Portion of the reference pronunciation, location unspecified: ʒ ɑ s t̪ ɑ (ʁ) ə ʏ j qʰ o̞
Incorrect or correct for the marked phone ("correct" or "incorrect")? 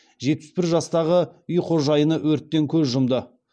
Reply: correct